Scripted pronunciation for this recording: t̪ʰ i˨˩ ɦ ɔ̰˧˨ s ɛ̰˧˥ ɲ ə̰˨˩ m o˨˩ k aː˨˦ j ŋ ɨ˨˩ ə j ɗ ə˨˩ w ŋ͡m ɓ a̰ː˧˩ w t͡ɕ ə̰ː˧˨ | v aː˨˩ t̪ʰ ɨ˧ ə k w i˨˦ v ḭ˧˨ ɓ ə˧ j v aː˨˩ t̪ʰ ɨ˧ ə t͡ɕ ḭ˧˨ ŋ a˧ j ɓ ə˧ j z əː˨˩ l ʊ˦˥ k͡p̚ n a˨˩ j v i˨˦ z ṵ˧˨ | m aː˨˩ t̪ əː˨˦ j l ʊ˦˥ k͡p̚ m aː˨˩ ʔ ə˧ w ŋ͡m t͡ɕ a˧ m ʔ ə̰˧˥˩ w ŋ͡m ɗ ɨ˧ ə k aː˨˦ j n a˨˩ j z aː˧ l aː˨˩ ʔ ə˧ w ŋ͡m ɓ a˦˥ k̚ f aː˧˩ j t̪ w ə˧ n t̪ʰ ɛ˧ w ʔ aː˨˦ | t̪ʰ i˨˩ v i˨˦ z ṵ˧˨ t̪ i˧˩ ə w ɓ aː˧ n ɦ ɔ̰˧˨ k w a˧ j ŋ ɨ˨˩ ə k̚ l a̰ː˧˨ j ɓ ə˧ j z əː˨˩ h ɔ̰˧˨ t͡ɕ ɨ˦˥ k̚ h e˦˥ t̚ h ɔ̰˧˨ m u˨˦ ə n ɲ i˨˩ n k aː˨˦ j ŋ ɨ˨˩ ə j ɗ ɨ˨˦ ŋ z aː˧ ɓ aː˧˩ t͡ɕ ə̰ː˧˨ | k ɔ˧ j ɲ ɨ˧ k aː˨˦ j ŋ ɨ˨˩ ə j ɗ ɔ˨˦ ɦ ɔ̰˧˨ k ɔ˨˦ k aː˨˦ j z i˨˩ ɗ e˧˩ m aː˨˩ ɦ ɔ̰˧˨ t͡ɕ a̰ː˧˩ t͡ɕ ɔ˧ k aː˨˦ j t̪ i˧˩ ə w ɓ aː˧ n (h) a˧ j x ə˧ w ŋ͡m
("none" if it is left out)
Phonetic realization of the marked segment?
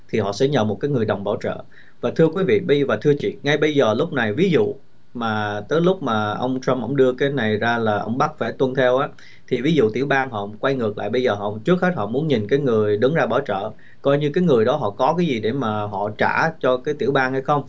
h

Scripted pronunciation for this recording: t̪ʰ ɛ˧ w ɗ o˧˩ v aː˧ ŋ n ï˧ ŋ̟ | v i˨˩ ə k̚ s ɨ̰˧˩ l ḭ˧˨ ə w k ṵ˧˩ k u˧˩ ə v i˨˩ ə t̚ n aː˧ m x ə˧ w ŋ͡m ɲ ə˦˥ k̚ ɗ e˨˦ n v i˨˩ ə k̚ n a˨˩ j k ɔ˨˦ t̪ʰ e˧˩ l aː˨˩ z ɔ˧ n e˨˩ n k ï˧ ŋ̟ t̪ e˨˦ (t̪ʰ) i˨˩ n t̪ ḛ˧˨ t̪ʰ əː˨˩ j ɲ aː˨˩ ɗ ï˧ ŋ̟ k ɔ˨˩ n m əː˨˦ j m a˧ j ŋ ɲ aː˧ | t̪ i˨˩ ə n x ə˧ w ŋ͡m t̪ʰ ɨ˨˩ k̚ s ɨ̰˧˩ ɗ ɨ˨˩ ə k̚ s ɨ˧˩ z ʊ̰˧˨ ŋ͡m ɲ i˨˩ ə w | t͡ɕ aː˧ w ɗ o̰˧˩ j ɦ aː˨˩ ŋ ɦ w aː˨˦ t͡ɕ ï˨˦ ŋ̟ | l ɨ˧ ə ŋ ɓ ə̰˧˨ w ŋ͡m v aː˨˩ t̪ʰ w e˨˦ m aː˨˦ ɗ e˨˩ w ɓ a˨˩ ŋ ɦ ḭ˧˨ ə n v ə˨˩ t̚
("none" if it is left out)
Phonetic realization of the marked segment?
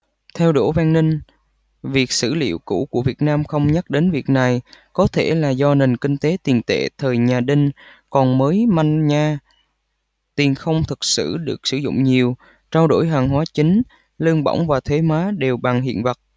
t̪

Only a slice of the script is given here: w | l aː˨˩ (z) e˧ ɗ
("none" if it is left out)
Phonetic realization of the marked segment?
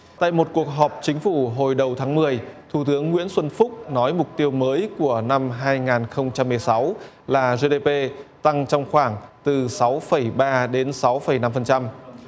z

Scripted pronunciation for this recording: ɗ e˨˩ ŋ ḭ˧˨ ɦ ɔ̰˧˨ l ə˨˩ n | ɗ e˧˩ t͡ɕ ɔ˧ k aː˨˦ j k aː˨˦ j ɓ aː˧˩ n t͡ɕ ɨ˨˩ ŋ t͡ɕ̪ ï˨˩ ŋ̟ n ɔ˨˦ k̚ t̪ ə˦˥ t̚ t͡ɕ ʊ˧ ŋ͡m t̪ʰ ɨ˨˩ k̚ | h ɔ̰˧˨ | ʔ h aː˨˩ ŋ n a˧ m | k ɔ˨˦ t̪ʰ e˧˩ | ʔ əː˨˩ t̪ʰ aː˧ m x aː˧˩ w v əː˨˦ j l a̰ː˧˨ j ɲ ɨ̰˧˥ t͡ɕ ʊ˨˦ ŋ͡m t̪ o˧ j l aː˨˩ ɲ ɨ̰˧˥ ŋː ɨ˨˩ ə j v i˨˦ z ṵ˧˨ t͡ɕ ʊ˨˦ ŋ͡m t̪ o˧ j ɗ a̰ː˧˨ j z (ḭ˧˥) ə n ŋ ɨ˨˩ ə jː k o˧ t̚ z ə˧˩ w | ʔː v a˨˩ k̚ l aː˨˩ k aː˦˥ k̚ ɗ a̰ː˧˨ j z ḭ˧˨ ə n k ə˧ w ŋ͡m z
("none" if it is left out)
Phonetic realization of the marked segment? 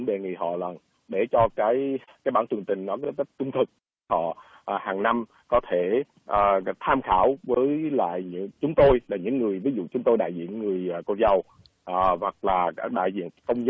ḭ˧˨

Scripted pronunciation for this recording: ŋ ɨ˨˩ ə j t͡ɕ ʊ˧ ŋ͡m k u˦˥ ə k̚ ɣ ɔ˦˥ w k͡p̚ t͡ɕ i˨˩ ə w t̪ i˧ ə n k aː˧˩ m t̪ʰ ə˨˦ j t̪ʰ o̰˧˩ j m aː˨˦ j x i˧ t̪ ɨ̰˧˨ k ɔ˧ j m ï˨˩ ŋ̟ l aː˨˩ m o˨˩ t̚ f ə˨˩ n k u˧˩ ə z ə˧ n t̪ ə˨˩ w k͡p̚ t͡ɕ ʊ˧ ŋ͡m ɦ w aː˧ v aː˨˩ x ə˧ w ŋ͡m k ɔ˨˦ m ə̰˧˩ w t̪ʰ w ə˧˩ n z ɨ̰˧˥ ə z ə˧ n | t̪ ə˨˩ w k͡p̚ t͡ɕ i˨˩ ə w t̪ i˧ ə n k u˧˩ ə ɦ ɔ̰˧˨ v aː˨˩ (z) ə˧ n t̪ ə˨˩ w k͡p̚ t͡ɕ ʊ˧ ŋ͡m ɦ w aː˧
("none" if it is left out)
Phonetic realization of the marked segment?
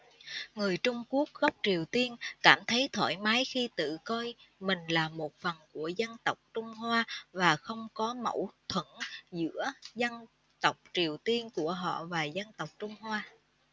z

